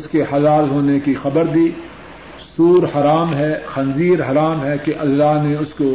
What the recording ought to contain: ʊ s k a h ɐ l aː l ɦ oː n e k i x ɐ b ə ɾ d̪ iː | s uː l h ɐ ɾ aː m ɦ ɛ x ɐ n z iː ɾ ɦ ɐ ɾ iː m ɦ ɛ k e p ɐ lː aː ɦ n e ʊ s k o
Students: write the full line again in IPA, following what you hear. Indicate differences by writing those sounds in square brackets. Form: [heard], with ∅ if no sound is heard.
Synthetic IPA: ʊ s k [e] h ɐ l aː l ɦ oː n e k i x ɐ b ə ɾ d̪ iː | s uː [ɾ] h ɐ ɾ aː m ɦ ɛ x ɐ n z iː ɾ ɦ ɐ ɾ [aː] m ɦ ɛ k e [ʔ] ɐ lː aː ɦ n e ʊ s k o